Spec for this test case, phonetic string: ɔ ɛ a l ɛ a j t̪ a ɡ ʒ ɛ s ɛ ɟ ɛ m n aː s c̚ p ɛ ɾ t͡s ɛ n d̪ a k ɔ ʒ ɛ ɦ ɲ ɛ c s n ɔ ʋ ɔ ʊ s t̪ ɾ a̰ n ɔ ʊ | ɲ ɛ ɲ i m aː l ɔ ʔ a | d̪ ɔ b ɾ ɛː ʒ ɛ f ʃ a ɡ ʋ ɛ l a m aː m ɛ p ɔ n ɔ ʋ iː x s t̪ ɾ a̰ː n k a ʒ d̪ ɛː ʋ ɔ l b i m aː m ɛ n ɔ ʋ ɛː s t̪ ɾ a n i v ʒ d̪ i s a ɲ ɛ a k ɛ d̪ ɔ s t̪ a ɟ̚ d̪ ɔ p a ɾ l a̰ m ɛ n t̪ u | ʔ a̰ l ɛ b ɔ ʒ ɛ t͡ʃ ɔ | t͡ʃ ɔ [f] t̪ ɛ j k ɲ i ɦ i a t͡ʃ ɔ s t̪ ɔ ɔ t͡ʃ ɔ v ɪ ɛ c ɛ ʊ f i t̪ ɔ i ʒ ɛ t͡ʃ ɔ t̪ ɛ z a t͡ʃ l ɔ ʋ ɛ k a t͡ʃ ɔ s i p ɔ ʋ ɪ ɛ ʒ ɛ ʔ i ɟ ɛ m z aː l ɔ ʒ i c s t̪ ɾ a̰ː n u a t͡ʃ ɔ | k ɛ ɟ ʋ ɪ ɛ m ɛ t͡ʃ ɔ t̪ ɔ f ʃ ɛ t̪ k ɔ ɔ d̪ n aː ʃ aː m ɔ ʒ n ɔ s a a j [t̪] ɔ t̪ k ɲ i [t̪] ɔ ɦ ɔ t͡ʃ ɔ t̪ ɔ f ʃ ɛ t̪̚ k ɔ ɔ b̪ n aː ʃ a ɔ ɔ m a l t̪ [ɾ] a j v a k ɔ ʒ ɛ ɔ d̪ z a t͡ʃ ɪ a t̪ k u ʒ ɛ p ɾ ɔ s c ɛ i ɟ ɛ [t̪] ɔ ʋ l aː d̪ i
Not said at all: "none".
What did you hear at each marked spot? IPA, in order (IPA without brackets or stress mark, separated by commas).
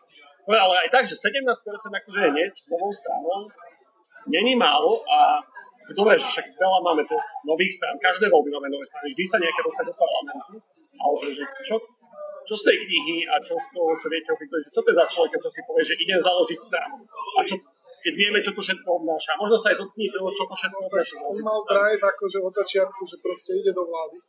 s, d̪, t̪, ɾ, d̪